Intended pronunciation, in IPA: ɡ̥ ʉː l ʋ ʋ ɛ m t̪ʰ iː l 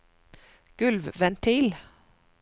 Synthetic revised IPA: ɡ̥ ʉ l ʋ ʋ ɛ n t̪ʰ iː l